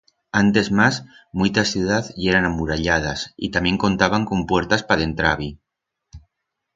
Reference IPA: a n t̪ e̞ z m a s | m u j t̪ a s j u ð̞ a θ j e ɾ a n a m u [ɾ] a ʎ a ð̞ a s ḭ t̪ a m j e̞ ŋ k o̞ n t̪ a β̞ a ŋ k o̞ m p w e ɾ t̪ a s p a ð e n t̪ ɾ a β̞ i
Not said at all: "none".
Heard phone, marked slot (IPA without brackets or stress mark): ɾ